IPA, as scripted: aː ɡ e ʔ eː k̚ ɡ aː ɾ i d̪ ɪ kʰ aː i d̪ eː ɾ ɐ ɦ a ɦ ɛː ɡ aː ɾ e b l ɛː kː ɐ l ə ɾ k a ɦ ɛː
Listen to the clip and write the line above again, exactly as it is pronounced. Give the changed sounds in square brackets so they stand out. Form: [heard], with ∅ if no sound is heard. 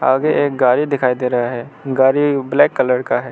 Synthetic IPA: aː ɡ e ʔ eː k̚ ɡ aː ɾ i d̪ ɪ kʰ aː i d̪ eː ɾ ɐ ɦ a ɦ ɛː ɡ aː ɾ [i] b l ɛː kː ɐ l ə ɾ k a ɦ ɛː